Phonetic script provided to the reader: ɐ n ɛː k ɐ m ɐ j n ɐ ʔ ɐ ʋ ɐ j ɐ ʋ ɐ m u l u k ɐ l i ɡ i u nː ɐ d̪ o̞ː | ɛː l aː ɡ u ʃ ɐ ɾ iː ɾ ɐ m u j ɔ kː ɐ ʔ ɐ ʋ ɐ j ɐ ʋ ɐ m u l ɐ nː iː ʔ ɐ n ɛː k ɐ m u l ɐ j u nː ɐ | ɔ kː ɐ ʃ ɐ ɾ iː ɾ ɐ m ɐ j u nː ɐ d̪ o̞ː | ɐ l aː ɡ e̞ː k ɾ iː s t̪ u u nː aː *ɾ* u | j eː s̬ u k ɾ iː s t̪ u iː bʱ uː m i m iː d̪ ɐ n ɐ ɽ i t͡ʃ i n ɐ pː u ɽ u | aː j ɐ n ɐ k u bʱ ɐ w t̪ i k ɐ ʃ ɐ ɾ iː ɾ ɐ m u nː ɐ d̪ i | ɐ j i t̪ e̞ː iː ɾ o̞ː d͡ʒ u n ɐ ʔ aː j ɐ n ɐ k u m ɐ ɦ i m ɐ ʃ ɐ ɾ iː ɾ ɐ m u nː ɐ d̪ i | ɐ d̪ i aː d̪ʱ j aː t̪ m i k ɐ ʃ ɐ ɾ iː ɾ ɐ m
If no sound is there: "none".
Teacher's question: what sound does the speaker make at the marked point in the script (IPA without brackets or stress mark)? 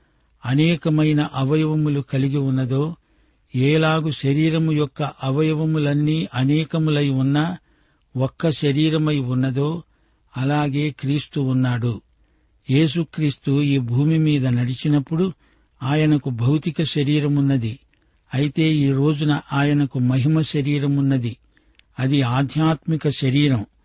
ɽ